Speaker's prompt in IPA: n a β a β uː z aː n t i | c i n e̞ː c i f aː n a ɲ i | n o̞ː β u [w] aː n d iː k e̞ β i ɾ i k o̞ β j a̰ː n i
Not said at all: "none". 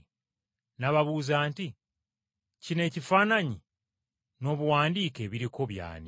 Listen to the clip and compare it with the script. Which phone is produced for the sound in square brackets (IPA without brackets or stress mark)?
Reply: w